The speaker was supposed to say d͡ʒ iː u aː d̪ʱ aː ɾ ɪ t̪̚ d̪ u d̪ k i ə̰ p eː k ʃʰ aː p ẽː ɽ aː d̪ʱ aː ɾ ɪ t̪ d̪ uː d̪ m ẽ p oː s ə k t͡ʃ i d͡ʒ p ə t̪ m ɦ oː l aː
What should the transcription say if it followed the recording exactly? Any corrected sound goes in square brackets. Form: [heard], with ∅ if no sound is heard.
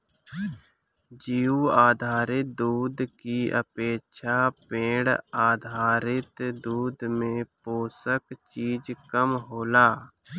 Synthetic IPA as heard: d͡ʒ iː u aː d̪ʱ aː ɾ ɪ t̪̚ d̪ [uː] d̪ k i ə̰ p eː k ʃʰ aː p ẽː ɽ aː d̪ʱ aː ɾ ɪ t̪ d̪ uː d̪ m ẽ p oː s ə k t͡ʃ [iː] d͡ʒ [k] ə [∅] m ɦ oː l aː